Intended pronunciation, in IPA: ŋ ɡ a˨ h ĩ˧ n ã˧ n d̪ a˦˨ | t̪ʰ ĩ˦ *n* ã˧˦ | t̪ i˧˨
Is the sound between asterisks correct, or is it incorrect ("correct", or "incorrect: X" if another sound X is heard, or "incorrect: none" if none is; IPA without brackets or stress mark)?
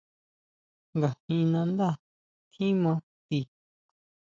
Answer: incorrect: m